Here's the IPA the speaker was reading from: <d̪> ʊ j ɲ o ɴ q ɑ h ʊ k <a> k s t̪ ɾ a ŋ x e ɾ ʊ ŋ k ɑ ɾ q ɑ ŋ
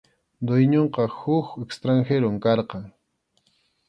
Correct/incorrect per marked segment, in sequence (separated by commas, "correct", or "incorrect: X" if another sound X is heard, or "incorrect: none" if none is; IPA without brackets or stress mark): correct, incorrect: e